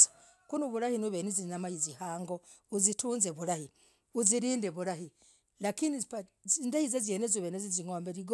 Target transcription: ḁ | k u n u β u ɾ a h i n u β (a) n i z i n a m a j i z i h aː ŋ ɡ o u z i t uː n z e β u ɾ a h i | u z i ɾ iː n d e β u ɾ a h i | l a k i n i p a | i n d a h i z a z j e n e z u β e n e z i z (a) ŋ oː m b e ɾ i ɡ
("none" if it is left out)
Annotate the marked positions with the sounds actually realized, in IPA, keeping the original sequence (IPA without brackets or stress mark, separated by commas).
e, i